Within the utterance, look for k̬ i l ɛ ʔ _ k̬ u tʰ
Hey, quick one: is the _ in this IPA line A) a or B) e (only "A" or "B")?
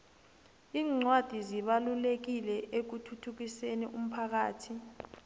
B